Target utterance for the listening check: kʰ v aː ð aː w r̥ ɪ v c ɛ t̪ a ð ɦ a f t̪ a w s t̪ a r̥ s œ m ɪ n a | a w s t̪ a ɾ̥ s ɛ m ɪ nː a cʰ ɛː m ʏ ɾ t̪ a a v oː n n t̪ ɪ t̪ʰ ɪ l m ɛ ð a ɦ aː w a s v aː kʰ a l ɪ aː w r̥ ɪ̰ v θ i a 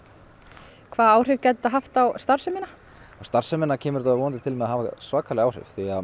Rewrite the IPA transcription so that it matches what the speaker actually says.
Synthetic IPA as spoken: kʰ v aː ð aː w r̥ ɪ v c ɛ t̪ a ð ɦ a f t̪ a w s t̪ a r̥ s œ m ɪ n a | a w s t̪ a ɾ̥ s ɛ m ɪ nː a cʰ ɛː m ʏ ɾ t̪ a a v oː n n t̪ ɪ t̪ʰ ɪ l m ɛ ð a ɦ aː v a s v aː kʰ a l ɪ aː w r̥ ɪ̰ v θ i a

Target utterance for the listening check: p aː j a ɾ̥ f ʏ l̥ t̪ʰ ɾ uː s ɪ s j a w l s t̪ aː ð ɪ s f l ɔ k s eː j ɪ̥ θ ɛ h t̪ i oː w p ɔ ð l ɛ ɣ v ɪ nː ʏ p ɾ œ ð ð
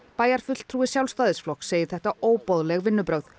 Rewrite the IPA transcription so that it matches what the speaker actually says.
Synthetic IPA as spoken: p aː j a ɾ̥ f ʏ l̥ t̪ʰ ɾ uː ɪ s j a w l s t̪ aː ð ɪ s f l ɔ k s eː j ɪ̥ θ ɛ h t̪ a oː w p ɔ ð l ɛ ɣ v ɪ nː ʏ p ɾ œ ɣ ð

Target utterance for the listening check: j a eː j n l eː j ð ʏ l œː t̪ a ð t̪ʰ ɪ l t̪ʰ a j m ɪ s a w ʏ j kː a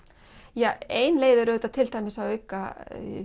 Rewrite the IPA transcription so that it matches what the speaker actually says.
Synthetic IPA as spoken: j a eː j n l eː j ð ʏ ɾ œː t̪ a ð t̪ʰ ɪ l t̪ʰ a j m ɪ s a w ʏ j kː a

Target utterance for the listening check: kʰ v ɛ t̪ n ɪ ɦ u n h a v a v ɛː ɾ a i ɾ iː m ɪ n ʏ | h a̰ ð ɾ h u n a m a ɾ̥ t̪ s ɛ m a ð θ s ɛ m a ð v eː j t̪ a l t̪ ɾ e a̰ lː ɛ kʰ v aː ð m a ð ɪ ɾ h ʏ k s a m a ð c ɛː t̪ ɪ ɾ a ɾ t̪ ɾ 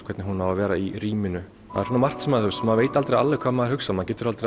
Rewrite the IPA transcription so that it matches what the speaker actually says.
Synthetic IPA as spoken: kʰ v ɛ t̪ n ɪ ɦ u n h a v a v ɛː ɾ a i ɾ iː m ɪ n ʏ | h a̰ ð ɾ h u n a m a r̥ t̪ s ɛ m a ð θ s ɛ m a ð v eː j t̪ a l t̪ ɾ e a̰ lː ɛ kʰ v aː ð m a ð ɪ ɾ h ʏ k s a m a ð c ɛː t̪ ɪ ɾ a l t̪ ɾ

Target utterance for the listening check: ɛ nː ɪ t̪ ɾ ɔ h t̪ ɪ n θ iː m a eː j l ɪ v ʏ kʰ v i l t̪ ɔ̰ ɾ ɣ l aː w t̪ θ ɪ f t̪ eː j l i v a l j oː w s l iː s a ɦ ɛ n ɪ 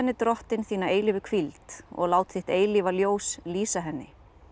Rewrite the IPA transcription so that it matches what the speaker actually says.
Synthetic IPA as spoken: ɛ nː ɪ t̪ ɾ ɔ h t̪ ɪ n θ iː n a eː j l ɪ v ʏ kʰ v i l t̪ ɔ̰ ɣ l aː w t̪ θ ɪ h t̪ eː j l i v a l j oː w s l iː s a ɦ ɛ nː ɪ

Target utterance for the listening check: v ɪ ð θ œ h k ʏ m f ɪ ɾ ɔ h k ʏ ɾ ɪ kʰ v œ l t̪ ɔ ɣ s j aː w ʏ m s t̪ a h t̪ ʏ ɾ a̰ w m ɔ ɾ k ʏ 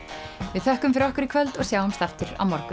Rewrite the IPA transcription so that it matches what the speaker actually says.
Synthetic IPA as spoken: v ɪ ð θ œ h k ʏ m f ɪ ɾ ɔ h k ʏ ɾ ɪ kʰ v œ l t̪ ɔ ɣ s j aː w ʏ m s t̪ a f t̪ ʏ ɾ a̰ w m ɔ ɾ k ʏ

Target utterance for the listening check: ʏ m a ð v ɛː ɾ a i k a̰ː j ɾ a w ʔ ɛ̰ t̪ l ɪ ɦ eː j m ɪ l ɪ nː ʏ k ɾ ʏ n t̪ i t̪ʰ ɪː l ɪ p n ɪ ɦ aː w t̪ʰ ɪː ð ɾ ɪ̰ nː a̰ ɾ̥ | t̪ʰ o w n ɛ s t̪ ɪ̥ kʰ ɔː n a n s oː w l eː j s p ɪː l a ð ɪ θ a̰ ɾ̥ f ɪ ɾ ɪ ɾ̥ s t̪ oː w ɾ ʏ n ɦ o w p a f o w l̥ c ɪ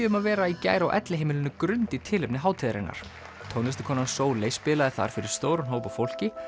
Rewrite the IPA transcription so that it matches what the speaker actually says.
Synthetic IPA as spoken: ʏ m a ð v ɛː ɾ a i c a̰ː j ɾ a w ʔ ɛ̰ t̪ l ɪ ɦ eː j m ɪ l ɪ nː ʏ k ɾ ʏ n t̪ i t̪ʰ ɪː l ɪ p n ɪ ɦ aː w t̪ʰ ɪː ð ɾ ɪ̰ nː a̰ ɾ̥ | t̪ʰ o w n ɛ s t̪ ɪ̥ kʰ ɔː n a n s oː w l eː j s p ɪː l a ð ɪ θ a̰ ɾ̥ f ɪ ɾ ɪ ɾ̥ s t̪ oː w ɾ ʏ n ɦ o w p a f o w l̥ c ɪ

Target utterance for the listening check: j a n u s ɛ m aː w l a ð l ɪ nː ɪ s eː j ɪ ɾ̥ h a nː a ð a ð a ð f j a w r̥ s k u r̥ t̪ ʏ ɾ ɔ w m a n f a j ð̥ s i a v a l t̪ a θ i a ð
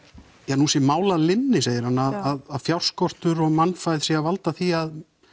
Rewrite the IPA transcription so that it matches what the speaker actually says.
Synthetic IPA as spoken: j a n u s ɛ m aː w l a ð l ɪ nː ɪ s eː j ɪ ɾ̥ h a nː a ð a ð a ð f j a w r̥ s k ɔ r̥ t̪ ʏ ɾ ɔ ɣ m a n f a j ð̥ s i a v a l t̪ a θ i a ð

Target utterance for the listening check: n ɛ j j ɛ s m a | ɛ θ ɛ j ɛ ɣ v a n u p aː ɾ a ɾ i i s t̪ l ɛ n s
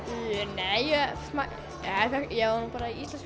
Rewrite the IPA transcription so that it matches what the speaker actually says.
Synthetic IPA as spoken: n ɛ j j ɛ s m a | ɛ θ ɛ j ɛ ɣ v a n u p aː ɾ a i i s t̪ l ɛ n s

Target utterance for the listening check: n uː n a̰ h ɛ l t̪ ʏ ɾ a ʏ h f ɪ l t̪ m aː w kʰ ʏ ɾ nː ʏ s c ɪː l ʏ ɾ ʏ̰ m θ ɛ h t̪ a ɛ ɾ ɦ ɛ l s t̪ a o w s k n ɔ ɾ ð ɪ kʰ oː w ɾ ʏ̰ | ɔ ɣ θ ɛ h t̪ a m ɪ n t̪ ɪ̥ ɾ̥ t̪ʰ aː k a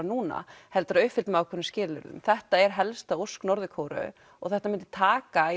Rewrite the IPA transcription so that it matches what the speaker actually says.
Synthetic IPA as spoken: n uː n a̰ h ɛ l t̪ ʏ ɾ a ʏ h f ɪ l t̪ m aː w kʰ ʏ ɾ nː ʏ s c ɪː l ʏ ɾ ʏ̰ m θ ɛ h t̪ a ɛ ɾ ɦ ɛ l s t̪ a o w s k n ɔ ɾ ð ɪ kʰ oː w ɾ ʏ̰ | ɔ ɣ θ ɛ h t̪ a m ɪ n t̪ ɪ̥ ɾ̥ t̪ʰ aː k a

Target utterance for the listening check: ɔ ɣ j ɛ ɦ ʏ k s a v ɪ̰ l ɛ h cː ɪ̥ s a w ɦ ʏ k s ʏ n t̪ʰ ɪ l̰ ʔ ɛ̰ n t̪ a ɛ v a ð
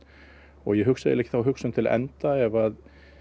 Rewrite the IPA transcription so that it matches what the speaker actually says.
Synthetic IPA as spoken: ɔ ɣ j ɛ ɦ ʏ k s a ð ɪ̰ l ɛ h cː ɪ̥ θ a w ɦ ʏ k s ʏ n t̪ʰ ɪ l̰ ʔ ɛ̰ n t̪ a ɛ v a ð

